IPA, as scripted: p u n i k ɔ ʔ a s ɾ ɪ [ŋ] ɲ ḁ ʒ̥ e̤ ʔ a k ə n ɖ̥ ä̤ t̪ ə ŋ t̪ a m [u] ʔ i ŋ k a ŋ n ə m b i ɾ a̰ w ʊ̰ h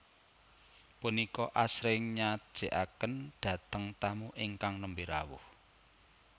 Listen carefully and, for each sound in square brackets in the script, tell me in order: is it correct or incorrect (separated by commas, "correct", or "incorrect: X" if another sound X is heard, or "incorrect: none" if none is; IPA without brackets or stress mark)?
correct, correct